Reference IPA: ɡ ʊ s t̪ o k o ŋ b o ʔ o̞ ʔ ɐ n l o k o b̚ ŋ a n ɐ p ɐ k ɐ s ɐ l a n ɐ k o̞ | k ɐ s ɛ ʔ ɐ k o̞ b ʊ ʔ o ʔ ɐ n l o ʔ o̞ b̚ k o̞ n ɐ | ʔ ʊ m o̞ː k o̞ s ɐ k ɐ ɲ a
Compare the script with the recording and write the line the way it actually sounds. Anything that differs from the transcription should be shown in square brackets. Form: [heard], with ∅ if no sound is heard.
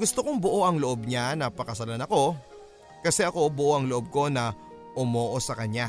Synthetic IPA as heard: ɡ ʊ s t̪ o k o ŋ b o ʔ o̞ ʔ ɐ [ŋ] l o [ʔ] o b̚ [ɲ] a n ɐ p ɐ k ɐ s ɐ l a n ɐ k o̞ | k ɐ s ɛ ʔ ɐ k o̞ b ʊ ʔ o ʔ ɐ [ŋ] l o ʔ o̞ b̚ k o̞ n ɐ | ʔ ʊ m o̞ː [ʔ] o̞ s ɐ k ɐ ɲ a